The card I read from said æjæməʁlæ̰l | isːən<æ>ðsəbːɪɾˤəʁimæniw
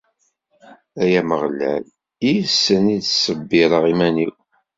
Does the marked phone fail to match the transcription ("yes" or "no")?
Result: yes